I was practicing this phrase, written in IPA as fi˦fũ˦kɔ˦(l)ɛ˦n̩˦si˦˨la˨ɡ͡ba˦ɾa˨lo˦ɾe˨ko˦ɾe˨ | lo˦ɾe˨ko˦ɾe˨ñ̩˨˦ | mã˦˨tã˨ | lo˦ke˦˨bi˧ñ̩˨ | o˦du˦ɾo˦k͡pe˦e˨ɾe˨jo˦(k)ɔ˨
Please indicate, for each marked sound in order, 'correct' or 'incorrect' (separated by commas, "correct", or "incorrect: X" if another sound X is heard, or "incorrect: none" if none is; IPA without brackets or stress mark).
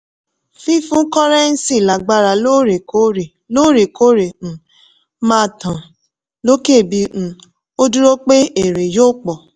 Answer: incorrect: ɾ, incorrect: k͡p